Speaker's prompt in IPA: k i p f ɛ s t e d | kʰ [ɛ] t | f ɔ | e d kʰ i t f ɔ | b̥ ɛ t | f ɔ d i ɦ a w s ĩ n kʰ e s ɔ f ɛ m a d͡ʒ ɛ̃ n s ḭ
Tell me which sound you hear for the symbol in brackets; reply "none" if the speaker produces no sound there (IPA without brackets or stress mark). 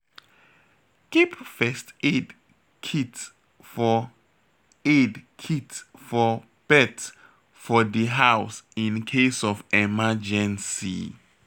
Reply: i